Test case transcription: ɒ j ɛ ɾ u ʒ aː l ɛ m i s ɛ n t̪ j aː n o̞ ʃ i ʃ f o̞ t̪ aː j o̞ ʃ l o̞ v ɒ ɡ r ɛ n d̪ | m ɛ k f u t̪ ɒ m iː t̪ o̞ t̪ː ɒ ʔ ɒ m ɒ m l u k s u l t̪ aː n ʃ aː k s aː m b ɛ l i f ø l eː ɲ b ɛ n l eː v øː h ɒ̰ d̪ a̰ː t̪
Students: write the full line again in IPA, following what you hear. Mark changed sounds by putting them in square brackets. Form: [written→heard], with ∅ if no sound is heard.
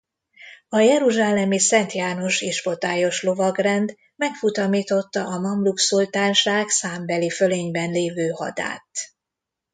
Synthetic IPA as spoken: ɒ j ɛ ɾ u ʒ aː l ɛ m i s ɛ n t̪ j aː n o̞ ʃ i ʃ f o̞ t̪ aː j o̞ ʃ l o̞ v ɒ ɡ r ɛ n d̪ | m ɛ k f u t̪ ɒ m iː t̪ o̞ t̪ː ɒ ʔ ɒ m ɒ m l u k s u l t̪ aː n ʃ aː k s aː m b ɛ l i f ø l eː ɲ b ɛ n l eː v øː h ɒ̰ d̪ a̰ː t̪